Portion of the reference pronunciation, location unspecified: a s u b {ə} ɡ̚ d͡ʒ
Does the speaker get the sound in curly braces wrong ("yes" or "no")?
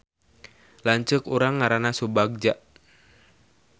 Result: yes